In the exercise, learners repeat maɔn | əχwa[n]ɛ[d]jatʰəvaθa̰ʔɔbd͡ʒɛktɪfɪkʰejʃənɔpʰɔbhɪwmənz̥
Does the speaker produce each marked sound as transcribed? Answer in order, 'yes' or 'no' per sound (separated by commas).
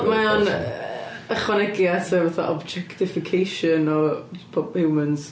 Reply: yes, no